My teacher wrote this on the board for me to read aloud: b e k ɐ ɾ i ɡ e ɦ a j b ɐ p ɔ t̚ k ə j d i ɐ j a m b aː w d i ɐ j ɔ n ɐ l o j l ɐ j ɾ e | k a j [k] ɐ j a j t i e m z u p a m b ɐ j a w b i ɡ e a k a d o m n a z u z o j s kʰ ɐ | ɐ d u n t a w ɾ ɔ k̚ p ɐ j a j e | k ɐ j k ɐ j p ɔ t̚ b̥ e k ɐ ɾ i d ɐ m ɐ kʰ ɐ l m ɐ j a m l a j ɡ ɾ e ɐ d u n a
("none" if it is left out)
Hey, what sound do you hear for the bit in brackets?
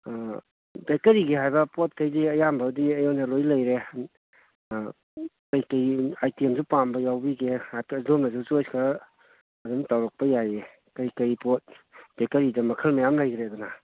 k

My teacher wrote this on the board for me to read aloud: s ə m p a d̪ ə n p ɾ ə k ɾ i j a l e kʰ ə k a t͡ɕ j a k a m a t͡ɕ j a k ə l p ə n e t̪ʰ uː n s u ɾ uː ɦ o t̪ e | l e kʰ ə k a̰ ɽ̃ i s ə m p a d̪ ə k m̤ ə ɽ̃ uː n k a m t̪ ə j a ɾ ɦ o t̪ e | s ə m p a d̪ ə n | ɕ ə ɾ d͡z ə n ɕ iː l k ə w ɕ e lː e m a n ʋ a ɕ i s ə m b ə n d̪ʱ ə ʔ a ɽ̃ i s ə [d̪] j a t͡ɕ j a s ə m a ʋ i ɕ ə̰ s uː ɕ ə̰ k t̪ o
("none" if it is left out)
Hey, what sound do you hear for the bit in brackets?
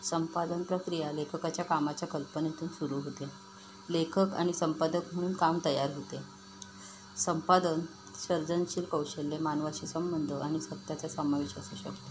t̪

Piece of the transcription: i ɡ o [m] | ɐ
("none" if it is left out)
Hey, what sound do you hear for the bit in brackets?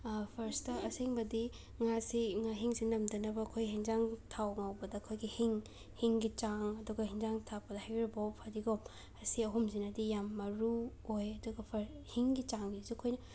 m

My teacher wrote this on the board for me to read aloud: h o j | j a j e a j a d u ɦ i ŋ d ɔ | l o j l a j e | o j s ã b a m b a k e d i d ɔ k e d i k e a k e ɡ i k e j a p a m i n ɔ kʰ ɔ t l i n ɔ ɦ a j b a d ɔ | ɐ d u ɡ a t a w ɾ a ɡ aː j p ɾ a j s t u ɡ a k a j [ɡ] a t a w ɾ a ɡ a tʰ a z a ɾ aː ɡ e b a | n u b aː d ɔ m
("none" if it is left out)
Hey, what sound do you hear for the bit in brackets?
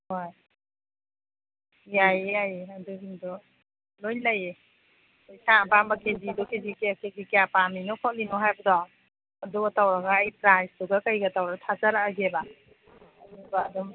ɡ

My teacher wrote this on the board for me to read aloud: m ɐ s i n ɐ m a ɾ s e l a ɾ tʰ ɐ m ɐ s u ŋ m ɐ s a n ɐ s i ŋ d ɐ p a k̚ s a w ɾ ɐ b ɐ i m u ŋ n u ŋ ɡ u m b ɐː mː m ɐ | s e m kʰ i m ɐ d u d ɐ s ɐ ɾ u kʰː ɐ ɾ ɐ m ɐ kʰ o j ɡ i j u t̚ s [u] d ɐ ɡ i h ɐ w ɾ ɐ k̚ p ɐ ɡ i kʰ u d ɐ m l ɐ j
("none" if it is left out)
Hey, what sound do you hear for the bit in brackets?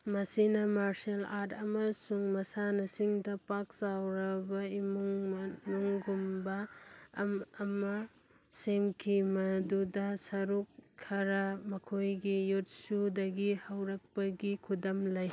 u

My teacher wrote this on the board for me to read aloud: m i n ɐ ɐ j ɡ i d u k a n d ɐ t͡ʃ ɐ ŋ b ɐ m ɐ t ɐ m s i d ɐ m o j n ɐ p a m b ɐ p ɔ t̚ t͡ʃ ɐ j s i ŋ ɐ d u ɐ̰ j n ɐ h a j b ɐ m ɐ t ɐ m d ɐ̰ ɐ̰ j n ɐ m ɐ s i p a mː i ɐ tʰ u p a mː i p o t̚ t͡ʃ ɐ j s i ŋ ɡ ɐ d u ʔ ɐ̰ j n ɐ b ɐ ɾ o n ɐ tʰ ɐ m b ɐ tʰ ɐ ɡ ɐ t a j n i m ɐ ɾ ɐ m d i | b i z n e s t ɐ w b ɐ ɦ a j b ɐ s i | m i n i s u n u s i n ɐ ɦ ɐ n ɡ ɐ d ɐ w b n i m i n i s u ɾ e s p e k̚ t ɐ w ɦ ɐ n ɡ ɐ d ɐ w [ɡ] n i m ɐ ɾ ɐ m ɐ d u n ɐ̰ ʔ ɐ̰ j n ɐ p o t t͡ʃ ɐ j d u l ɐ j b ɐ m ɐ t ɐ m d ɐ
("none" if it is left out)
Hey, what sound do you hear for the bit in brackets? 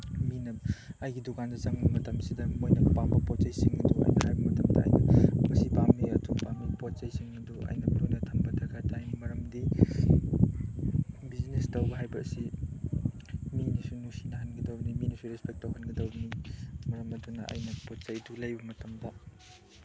b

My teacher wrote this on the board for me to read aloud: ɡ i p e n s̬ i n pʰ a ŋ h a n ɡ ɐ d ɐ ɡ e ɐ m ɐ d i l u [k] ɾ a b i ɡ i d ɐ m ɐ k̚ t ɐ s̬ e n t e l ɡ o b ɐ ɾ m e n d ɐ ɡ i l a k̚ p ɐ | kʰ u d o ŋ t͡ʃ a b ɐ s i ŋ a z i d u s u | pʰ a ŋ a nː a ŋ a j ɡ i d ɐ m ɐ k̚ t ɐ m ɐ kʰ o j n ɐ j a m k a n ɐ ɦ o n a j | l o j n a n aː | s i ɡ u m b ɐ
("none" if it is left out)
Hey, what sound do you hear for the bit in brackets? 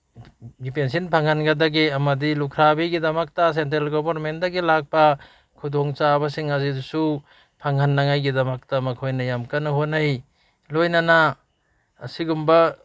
kʰ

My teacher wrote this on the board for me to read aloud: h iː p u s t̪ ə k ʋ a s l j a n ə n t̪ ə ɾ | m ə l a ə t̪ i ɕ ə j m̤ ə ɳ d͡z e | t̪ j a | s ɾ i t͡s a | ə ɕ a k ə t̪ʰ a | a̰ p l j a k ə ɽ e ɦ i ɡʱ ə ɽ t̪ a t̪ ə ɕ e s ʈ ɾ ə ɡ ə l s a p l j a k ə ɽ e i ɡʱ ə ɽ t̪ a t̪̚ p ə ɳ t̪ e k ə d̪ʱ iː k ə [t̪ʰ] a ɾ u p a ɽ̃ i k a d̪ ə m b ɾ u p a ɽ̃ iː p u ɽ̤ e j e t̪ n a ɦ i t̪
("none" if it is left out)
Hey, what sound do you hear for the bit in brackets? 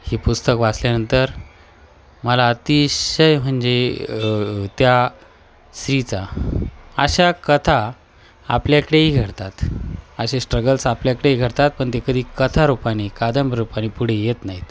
t̪ʰ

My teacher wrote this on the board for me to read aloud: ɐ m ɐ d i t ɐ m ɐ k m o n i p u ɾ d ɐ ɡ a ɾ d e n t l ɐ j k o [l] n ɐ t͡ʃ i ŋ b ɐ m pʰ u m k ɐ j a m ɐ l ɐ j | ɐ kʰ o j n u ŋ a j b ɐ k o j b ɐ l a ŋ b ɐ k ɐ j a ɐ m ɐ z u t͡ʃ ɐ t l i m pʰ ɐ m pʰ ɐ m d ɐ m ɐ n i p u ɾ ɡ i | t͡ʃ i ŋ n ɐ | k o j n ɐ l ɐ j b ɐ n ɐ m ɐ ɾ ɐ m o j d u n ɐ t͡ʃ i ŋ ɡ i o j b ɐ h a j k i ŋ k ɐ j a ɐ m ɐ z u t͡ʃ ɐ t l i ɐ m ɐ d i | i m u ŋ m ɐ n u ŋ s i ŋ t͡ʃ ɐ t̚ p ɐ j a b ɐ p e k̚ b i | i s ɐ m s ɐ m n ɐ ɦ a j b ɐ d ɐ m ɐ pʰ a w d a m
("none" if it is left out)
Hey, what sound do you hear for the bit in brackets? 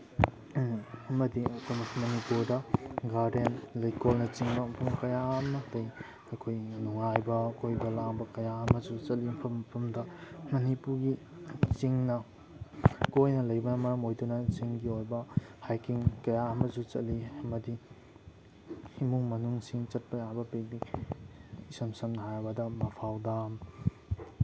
l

